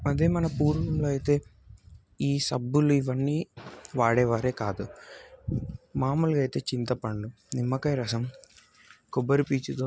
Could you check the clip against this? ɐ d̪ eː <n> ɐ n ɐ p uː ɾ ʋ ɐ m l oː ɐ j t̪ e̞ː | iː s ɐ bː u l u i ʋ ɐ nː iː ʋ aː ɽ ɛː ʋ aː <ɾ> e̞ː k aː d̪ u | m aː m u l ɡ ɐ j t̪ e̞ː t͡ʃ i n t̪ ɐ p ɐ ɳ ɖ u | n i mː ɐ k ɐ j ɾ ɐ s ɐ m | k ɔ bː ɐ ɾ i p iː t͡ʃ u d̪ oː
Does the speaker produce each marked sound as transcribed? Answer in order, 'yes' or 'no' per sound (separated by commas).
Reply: no, yes